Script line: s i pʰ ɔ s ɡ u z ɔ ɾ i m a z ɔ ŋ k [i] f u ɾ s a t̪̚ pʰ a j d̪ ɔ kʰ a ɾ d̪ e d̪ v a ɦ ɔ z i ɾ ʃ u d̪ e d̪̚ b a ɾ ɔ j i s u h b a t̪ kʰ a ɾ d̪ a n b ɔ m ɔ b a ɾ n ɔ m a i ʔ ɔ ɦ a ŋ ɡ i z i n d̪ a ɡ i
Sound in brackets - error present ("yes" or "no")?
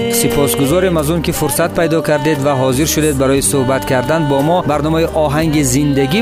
no